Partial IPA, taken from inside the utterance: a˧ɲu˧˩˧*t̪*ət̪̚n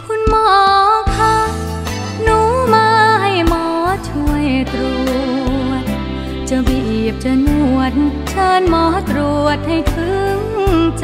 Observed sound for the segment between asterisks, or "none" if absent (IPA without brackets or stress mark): none